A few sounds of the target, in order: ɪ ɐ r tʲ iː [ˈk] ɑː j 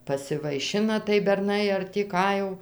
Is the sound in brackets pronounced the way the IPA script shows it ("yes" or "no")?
yes